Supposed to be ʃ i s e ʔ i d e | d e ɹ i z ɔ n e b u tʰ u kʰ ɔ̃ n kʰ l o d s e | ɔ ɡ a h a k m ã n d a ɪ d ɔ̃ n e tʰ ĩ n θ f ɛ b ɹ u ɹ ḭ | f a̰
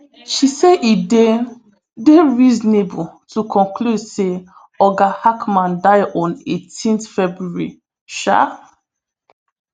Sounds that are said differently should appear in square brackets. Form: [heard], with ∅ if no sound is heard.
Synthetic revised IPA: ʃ i s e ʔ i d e | d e ɹ i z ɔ n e b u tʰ u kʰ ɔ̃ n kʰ l [u] d s e | ɔ ɡ a h a k m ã n d a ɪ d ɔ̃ n e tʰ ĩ n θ f ɛ b ɹ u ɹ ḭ | [ʃ] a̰